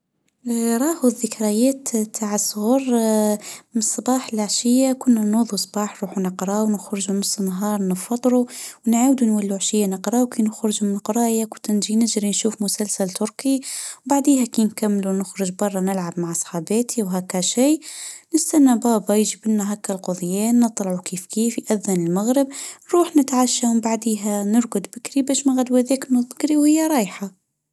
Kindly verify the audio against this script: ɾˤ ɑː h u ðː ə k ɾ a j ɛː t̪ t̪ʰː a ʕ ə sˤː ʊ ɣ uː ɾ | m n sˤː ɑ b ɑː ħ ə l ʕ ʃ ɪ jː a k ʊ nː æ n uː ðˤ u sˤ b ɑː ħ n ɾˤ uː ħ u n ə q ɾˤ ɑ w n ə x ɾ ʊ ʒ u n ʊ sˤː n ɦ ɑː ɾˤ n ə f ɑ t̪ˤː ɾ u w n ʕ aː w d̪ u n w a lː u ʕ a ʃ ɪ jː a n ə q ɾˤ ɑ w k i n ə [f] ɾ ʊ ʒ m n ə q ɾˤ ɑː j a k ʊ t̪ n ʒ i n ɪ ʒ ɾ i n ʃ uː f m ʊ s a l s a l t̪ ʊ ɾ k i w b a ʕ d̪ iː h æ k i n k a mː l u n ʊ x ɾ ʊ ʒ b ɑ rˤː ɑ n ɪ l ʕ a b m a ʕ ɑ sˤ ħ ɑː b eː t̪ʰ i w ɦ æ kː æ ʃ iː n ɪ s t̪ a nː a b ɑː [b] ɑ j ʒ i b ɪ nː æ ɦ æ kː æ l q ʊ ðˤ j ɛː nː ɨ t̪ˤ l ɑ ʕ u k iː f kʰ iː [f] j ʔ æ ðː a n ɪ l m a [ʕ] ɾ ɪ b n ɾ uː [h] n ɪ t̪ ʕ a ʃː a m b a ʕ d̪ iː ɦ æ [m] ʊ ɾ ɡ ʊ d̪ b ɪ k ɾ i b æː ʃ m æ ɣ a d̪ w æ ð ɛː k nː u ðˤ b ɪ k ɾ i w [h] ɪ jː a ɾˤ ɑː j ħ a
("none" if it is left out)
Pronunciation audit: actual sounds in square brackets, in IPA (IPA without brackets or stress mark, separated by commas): x, b, f, ɣ, ħ, n, h